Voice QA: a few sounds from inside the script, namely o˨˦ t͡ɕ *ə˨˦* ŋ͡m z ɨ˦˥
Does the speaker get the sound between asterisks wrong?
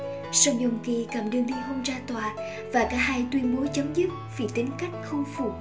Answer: no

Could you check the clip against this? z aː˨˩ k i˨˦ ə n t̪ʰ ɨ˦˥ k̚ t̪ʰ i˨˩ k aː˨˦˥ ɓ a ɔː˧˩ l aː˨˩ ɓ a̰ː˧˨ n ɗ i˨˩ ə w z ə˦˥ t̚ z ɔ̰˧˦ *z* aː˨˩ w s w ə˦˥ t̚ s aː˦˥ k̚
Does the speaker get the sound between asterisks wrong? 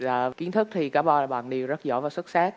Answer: yes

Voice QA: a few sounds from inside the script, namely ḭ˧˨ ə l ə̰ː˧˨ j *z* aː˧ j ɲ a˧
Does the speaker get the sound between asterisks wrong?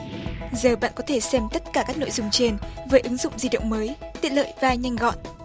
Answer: yes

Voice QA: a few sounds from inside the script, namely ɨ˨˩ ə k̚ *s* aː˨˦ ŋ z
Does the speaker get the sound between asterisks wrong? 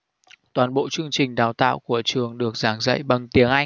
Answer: yes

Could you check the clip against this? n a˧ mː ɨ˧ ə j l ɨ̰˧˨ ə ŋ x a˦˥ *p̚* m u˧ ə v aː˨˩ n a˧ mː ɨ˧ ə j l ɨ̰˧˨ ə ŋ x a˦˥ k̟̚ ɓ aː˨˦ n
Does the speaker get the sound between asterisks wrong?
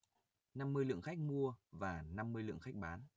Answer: yes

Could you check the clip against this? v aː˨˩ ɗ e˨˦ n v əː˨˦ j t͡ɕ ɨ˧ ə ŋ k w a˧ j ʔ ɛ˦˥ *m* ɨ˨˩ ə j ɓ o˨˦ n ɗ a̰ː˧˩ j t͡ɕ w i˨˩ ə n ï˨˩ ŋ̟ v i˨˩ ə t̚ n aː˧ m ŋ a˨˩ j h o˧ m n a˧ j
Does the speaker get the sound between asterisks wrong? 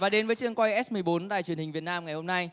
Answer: no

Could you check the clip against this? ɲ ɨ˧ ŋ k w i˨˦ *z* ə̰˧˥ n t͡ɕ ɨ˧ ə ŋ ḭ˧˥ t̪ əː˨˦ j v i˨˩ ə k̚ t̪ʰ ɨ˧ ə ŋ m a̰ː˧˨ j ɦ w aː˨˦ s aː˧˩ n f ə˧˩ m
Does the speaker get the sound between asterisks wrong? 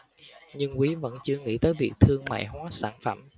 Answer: yes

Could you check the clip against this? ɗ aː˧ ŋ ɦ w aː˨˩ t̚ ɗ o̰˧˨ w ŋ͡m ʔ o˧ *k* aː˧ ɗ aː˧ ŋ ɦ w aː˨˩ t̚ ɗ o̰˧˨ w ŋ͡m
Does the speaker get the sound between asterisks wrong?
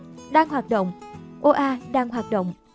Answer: yes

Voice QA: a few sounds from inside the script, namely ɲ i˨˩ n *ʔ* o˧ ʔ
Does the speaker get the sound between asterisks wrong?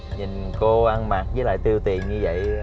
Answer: yes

